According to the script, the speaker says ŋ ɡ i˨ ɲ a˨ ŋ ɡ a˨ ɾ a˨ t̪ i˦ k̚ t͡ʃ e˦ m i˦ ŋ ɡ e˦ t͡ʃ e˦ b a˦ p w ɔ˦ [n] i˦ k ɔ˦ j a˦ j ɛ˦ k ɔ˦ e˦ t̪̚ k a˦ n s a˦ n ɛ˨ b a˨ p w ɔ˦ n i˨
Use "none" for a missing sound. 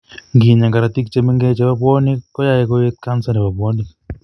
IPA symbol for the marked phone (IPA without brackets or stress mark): n